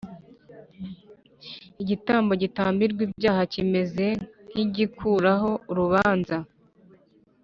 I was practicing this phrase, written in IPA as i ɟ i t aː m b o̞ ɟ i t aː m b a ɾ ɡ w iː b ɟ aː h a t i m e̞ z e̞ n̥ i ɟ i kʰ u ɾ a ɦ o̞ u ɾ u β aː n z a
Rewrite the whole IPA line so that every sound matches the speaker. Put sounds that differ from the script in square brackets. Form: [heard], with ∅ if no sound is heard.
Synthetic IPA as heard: i ɟ i t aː m b o̞ ɟ i t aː m b [i] ɾ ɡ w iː b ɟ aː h a [c] i m e̞ z e̞ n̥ i ɟ i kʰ u ɾ a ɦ o̞ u ɾ u β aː n z a